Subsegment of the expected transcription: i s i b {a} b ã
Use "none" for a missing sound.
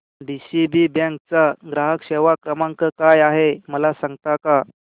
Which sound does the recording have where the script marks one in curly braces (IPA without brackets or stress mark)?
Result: i